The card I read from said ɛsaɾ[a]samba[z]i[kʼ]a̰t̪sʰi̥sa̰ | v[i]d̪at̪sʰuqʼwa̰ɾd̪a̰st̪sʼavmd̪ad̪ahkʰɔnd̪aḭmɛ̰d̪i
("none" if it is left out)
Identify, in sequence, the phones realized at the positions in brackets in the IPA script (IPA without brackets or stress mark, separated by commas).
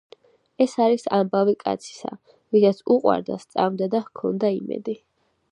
i, v, kʼ, i